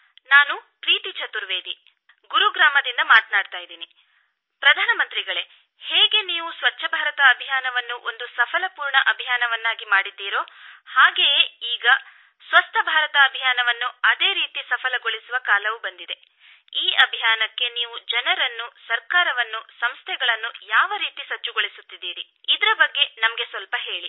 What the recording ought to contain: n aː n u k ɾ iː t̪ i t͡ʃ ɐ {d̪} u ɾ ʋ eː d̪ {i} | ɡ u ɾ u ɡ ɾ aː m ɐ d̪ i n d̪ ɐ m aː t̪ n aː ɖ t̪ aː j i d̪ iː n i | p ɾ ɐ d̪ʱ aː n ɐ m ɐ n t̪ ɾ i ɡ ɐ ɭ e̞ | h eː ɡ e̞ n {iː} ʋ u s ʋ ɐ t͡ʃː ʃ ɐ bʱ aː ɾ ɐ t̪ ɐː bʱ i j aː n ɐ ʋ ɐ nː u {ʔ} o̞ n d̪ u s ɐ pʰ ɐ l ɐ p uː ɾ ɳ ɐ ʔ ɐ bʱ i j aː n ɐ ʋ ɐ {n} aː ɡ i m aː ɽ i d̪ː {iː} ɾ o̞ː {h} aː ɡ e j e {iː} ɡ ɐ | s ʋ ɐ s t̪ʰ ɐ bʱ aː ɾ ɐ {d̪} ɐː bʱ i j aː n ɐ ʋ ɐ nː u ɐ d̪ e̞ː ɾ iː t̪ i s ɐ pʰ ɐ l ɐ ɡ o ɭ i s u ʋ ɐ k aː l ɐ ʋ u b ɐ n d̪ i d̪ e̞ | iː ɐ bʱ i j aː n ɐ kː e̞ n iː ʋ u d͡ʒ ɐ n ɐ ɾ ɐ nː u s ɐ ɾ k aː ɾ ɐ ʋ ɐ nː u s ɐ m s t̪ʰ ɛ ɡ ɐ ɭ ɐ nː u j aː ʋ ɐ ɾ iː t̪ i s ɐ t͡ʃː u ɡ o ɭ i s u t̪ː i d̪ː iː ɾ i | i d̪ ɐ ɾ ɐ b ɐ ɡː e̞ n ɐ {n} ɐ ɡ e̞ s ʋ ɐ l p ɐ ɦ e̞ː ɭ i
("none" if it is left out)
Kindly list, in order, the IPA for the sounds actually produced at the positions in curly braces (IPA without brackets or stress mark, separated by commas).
t̪, i, iː, ʔ, nː, iː, h, iː, t̪, m